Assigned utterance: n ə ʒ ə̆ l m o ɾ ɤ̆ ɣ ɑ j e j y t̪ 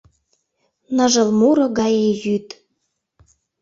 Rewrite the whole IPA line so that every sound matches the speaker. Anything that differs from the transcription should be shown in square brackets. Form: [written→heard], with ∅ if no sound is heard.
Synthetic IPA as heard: n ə ʒ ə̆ l m [o→u] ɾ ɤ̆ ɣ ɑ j e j y t̪